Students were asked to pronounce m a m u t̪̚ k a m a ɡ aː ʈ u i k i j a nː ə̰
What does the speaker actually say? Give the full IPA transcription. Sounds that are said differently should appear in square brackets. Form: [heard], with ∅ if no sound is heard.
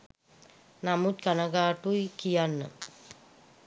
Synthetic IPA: [n] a m u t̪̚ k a [n] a ɡ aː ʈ u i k i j a nː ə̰